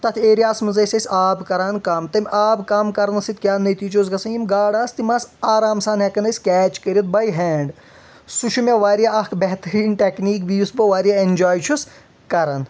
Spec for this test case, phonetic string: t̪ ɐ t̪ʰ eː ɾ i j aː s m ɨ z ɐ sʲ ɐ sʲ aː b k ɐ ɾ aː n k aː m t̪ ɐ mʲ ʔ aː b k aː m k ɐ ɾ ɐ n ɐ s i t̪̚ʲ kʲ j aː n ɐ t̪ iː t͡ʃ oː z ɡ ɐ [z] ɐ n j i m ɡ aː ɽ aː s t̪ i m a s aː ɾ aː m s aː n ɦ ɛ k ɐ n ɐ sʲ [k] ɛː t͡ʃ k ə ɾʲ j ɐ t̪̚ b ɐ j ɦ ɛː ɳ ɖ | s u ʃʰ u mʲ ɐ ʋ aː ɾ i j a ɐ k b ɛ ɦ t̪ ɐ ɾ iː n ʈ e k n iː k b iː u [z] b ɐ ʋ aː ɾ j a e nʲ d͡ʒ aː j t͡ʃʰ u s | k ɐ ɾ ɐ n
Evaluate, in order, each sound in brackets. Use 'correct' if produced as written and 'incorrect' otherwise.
incorrect: s, correct, incorrect: s

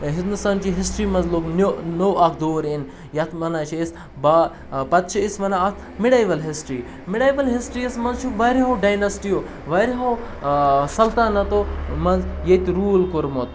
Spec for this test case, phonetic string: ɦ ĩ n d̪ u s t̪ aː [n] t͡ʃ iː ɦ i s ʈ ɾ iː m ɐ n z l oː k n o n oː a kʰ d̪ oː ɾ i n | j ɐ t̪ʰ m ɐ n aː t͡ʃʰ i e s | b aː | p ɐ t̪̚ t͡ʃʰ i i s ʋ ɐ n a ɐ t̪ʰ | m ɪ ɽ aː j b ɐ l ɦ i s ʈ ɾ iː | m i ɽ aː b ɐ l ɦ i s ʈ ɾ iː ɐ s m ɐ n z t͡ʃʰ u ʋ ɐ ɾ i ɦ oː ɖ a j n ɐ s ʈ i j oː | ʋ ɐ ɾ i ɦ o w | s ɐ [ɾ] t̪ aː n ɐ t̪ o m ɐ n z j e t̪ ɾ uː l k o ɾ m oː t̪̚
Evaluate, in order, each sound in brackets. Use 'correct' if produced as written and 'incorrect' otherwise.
correct, incorrect: l

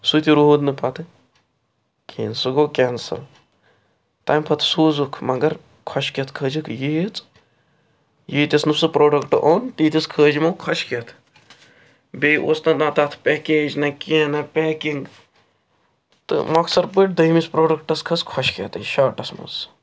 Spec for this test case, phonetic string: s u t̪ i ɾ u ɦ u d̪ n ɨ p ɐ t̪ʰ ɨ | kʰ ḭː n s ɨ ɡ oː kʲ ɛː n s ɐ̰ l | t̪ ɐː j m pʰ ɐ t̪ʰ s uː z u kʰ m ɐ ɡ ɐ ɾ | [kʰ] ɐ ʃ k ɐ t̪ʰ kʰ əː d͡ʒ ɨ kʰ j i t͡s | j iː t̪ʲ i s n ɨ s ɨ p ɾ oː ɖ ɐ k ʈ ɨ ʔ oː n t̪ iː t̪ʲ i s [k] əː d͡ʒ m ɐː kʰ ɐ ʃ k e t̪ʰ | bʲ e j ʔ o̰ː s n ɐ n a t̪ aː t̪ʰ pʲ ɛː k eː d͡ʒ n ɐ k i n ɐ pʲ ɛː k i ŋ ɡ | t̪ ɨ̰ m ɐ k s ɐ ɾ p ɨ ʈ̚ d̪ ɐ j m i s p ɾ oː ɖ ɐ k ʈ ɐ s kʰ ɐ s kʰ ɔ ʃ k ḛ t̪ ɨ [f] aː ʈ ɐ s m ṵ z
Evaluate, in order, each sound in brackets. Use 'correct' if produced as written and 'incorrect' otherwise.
correct, incorrect: kʰ, incorrect: ʃ

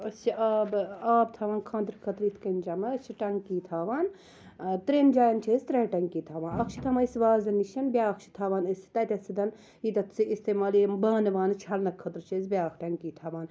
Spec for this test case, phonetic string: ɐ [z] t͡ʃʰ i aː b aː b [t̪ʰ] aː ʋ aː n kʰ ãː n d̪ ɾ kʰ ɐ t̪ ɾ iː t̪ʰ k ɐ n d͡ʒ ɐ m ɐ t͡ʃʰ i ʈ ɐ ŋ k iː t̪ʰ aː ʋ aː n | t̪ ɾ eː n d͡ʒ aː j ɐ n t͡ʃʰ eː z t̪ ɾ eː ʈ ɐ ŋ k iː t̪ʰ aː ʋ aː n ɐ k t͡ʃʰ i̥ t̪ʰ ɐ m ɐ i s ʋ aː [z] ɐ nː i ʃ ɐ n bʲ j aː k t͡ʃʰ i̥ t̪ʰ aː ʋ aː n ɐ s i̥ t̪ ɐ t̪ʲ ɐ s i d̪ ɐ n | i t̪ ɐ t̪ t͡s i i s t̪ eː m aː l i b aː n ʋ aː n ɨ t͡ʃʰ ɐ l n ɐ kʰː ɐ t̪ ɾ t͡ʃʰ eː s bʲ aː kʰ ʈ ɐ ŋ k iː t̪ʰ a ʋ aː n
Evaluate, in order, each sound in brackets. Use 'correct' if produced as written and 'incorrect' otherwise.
incorrect: s, correct, correct

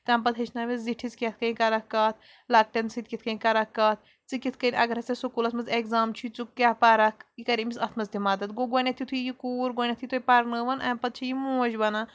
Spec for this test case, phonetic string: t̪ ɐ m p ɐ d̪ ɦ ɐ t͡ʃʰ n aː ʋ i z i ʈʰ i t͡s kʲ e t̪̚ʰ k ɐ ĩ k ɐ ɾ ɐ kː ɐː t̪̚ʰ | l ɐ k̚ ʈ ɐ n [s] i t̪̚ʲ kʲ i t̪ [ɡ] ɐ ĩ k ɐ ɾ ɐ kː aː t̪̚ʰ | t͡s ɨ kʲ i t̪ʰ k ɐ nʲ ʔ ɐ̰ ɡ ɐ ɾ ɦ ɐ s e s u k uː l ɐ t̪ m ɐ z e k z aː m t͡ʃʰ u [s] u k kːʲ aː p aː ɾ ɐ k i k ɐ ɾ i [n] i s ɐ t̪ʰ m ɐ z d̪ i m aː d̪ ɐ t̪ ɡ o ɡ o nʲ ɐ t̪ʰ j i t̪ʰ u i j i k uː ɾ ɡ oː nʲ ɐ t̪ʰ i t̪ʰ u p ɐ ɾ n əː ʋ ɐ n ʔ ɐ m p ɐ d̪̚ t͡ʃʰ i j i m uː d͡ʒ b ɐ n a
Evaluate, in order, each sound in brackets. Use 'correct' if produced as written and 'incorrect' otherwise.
correct, incorrect: k, incorrect: t͡s, incorrect: m

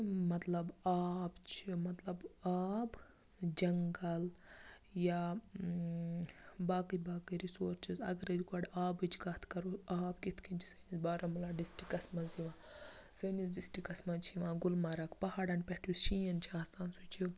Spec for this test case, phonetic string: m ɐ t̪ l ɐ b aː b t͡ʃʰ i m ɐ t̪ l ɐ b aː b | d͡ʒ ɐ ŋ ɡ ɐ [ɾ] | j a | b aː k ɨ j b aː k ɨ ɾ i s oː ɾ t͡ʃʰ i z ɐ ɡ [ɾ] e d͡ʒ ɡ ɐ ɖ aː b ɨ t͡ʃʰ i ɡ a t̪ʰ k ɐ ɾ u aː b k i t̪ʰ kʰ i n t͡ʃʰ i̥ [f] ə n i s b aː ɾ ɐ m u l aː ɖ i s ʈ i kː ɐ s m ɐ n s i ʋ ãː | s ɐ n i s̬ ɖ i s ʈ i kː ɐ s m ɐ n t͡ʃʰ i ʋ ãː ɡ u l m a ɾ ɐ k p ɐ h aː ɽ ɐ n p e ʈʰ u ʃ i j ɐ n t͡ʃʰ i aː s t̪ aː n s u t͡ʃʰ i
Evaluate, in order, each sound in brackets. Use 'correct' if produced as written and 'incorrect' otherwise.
incorrect: l, correct, incorrect: s

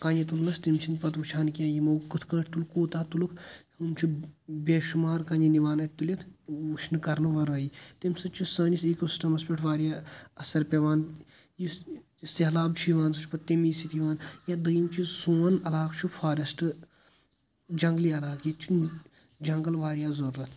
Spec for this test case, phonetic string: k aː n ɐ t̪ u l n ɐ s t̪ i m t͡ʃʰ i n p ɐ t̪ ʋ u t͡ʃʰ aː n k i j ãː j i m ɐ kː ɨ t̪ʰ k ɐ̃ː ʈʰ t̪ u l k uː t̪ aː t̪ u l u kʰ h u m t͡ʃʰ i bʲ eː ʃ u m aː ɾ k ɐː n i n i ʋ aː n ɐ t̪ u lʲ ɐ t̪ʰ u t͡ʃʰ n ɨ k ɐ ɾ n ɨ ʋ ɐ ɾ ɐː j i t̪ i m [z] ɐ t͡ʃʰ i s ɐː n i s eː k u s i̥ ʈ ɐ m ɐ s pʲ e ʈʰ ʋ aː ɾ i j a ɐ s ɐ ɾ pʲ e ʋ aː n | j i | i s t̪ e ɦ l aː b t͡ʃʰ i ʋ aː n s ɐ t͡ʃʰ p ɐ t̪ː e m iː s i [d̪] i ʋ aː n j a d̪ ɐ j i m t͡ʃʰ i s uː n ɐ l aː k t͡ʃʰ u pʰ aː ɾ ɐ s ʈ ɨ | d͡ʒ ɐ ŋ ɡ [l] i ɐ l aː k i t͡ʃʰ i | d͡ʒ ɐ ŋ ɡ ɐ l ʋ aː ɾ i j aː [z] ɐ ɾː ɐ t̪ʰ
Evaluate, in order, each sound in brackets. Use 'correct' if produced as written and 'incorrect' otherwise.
incorrect: s, incorrect: t̪, correct, correct

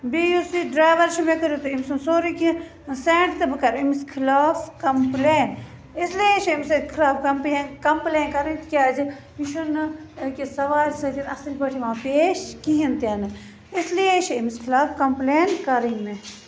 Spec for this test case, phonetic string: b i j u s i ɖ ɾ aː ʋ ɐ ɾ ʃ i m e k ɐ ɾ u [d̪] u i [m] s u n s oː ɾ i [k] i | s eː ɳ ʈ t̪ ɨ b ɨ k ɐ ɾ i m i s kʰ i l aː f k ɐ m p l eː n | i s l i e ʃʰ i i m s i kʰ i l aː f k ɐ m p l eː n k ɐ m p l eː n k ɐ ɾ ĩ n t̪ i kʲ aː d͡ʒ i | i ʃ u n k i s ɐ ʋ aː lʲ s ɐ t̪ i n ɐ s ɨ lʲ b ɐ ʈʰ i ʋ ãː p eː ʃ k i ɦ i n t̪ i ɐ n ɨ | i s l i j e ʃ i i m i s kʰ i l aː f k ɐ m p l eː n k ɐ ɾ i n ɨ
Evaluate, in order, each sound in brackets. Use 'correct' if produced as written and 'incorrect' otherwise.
incorrect: t̪, correct, correct

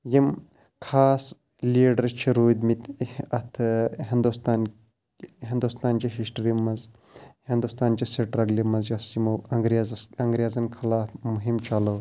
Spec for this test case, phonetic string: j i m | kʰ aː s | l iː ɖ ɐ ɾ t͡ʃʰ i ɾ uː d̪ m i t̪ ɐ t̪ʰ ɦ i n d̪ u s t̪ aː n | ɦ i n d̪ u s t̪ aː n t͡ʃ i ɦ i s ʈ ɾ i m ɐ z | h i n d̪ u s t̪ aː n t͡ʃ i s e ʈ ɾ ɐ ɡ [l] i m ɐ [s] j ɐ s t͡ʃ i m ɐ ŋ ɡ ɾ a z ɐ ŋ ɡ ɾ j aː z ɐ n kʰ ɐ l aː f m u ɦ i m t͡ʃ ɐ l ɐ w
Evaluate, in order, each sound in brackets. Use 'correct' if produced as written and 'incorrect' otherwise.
correct, incorrect: z

